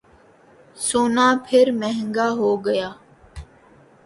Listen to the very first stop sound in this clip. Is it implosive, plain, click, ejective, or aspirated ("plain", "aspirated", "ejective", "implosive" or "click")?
aspirated